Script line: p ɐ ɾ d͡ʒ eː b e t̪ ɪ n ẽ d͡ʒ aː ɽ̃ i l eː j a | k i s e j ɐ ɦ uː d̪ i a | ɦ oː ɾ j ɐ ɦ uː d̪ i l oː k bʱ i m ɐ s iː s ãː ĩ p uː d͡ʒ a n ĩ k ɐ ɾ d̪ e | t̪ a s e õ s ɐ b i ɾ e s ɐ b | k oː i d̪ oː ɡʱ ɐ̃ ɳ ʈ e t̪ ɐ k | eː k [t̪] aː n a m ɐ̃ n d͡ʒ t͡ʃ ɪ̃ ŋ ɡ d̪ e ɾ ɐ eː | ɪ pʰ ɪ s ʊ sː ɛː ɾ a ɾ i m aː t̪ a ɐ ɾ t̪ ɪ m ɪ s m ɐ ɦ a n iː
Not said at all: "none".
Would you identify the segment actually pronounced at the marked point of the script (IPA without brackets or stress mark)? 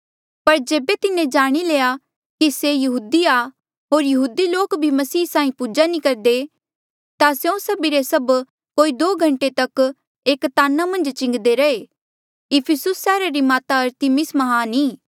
t̪